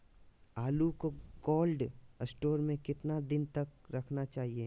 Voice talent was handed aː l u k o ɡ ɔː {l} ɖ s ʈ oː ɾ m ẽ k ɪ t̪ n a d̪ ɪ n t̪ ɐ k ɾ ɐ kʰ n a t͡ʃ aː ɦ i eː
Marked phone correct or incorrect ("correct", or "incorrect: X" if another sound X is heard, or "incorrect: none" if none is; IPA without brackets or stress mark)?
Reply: correct